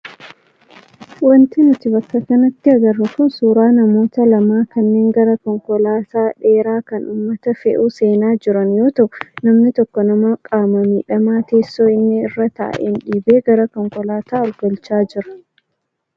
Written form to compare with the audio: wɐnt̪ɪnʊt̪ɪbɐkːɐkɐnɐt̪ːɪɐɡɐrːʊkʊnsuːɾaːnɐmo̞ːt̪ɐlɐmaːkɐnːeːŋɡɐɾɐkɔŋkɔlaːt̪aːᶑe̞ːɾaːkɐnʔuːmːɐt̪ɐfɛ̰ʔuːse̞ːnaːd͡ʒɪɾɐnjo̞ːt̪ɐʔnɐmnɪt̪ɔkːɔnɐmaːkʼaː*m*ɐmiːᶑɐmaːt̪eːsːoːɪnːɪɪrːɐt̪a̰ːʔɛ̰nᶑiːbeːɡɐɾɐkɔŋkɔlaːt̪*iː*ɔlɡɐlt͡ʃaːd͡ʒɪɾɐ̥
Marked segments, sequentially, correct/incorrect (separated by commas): correct, incorrect